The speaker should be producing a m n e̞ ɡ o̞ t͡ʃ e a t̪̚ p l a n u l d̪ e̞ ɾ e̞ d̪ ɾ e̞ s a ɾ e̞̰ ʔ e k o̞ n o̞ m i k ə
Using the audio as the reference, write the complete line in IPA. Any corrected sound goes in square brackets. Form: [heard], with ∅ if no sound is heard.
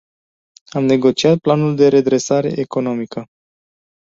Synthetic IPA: a m n e̞ ɡ o̞ t͡ʃ [i] a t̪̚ p l a n u l d̪ e̞ ɾ e̞ d̪ ɾ e̞ s a ɾ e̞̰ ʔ e k o̞ n o̞ m i k ə